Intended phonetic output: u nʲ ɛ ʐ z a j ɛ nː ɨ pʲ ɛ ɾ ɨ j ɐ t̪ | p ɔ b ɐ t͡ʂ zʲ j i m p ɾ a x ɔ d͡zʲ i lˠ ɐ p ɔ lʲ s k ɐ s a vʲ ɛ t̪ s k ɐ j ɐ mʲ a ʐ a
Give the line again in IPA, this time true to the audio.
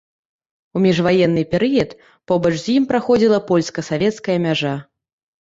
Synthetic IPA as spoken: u mʲ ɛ ʐ v a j ɛ nː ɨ pʲ ɛ ɾ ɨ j ɐ t̪ | p ɔ b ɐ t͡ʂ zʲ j i m p ɾ a x ɔ d͡zʲ i lˠ ɐ p ɔ lʲ s k ɐ s a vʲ ɛ t̪ s k ɐ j ɐ mʲ a ʐ a